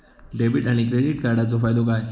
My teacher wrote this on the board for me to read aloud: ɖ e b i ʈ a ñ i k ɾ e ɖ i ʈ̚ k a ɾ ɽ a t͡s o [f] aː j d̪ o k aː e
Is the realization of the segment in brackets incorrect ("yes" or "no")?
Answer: no